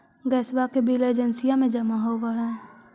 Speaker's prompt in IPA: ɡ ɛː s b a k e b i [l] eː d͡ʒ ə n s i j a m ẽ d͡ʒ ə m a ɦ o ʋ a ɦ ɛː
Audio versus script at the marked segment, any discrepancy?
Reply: no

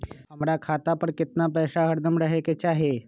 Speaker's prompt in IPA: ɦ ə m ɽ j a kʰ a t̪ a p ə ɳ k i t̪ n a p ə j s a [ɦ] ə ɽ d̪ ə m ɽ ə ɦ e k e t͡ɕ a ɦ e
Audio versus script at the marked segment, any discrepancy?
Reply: no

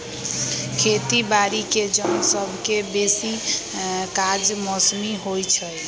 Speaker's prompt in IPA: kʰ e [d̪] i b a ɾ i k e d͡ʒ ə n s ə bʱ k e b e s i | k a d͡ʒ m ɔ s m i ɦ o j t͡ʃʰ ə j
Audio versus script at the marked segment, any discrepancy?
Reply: yes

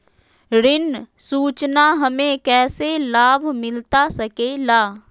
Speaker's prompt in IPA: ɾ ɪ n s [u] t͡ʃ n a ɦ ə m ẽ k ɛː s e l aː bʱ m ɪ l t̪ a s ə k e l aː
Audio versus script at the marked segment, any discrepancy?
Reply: yes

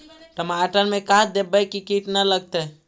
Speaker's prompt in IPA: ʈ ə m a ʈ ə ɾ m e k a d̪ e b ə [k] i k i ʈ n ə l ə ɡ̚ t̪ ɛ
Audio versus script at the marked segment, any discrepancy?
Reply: no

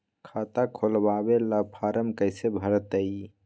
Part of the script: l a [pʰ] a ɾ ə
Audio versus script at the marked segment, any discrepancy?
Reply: no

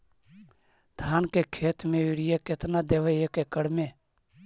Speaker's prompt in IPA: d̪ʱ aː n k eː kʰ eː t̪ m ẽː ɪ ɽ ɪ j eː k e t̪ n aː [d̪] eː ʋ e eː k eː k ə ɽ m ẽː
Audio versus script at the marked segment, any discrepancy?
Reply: no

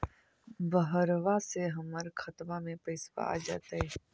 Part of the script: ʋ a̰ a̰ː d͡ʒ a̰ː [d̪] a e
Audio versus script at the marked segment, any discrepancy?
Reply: yes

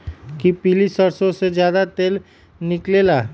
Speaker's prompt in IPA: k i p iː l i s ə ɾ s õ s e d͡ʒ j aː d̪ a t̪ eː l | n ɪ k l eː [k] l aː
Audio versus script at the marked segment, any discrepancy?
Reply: yes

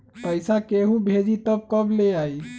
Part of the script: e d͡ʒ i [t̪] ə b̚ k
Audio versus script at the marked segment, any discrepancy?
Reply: no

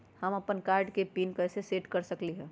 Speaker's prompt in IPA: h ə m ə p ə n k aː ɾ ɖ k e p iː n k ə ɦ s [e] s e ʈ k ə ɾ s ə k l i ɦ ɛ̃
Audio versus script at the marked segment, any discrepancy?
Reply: no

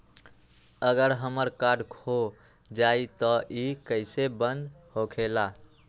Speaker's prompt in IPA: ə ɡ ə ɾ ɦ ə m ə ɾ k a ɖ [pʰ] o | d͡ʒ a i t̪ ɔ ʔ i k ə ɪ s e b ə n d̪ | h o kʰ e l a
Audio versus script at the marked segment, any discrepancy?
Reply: yes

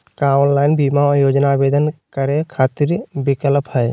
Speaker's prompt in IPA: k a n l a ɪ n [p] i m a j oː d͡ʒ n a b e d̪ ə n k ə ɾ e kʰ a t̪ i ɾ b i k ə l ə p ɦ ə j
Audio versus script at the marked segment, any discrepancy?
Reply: yes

